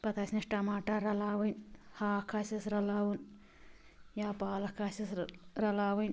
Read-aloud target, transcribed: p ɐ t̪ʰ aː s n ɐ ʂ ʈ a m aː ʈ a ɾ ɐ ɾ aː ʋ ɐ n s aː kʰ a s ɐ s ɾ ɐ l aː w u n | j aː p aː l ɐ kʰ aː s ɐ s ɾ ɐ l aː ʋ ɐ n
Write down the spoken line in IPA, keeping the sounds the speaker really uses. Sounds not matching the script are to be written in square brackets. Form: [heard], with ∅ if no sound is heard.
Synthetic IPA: p ɐ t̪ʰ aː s n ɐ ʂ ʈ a m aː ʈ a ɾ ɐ [l] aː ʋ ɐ n [h] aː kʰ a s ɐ s ɾ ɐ l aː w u n | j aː p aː l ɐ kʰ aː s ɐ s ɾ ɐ l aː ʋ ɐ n